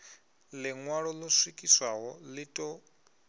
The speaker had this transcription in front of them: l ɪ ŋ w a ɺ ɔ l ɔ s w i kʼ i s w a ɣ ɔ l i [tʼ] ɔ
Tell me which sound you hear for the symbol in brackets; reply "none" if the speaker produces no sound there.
tʼ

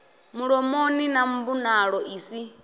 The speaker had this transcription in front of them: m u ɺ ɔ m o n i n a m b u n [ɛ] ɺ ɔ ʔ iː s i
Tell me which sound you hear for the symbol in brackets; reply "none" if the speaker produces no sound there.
a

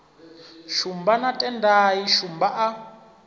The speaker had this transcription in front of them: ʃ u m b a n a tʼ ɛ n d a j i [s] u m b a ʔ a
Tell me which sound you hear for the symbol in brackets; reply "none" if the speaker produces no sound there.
ʃ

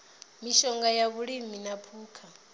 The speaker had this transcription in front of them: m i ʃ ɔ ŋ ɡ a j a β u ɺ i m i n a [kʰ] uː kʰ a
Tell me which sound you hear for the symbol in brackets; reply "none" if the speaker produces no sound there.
pʰ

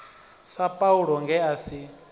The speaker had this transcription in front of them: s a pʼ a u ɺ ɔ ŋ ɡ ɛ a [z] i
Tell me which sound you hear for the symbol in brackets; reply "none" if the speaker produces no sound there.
s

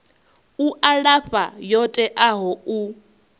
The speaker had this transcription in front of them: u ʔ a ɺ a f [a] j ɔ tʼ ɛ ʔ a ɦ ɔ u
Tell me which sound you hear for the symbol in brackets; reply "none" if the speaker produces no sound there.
a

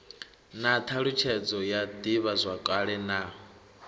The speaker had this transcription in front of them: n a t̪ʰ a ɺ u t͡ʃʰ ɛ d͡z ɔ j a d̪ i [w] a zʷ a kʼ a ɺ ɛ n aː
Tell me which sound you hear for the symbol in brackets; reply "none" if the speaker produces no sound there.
β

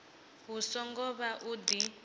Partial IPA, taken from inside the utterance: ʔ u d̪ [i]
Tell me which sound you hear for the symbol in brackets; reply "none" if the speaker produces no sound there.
i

